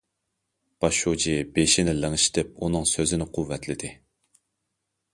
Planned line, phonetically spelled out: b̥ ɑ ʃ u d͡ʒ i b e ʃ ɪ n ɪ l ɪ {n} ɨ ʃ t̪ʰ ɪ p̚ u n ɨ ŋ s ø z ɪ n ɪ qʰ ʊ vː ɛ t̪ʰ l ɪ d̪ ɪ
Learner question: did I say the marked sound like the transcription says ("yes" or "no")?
no